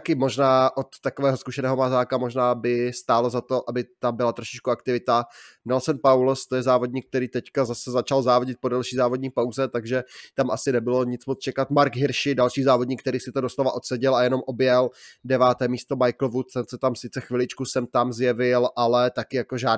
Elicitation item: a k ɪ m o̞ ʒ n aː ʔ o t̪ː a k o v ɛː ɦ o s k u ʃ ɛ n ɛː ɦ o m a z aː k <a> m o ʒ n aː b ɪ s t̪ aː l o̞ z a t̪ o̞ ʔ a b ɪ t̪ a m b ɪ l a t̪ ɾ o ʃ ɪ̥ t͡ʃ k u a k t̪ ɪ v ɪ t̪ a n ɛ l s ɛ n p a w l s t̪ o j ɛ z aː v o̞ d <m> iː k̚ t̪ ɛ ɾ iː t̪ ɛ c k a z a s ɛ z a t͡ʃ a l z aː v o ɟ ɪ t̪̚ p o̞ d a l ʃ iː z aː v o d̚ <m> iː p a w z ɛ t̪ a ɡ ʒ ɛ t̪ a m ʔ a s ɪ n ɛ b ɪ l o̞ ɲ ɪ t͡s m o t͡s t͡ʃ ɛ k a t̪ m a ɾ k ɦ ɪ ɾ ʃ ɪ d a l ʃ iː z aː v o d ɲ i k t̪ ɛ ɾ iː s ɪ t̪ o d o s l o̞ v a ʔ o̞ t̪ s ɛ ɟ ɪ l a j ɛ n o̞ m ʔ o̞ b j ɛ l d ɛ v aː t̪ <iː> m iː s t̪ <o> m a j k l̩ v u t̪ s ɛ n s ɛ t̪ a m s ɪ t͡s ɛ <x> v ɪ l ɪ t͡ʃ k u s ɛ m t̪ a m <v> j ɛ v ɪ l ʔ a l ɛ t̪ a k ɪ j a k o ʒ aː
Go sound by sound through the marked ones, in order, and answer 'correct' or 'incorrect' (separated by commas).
correct, incorrect, incorrect, incorrect, correct, correct, incorrect